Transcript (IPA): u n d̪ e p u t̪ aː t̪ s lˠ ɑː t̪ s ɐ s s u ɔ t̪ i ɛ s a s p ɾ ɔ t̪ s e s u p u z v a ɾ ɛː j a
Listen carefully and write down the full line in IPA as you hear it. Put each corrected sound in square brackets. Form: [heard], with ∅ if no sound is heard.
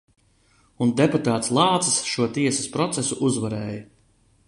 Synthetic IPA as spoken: u n d̪ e p u t̪ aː t̪ s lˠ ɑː t̪ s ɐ s [ʃ] u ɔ t̪ i ɛ s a s p ɾ ɔ t̪ s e s u [ʔ] u z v a ɾ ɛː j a